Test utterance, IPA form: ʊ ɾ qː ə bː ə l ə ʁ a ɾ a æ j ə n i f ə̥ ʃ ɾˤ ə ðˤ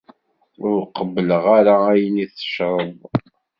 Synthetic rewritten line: ʊ ɾ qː ə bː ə l ə ʁ a ɾ a æ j ə n i θ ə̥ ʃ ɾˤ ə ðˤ